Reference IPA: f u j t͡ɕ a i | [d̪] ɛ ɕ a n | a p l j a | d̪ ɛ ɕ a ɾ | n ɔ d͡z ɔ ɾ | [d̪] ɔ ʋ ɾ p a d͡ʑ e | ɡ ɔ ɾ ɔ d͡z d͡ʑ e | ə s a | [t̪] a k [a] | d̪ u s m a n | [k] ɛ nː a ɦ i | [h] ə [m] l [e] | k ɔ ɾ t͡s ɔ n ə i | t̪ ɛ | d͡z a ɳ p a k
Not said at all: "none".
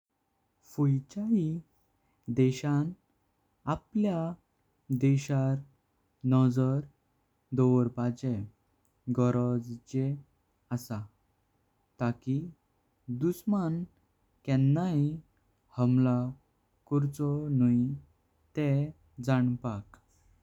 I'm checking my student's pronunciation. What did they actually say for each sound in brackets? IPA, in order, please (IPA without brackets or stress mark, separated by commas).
d̪, d̪, t̪, i, k, h, m, a